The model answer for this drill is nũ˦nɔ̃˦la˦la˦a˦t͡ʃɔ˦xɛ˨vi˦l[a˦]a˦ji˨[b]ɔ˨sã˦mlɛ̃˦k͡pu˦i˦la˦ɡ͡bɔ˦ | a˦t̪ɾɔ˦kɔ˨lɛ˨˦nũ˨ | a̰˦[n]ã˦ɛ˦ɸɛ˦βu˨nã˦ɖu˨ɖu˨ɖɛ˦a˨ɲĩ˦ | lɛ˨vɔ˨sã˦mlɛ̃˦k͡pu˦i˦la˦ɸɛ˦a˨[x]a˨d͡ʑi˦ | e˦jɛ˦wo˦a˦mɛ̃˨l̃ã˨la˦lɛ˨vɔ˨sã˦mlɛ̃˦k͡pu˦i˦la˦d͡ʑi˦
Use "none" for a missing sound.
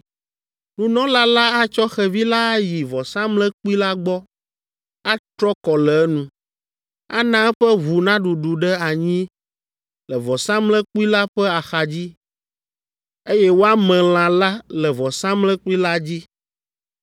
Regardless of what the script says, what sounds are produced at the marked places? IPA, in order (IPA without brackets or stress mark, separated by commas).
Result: a˦, v, n, x